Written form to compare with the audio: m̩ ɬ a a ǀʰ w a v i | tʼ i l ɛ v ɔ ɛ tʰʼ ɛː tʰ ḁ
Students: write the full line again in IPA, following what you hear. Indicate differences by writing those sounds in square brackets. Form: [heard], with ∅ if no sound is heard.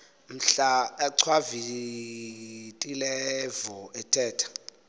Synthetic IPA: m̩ ɬ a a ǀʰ w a v i | tʼ i l ɛ v ɔ ɛ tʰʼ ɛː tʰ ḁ